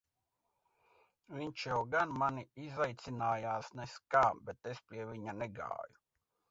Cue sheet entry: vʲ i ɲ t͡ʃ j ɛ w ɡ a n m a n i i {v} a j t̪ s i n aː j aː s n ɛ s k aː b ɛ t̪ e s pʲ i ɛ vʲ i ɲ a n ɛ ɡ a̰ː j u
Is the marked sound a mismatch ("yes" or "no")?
yes